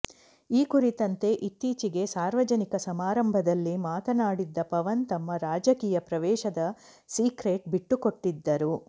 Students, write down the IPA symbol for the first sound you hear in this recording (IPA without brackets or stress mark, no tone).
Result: iː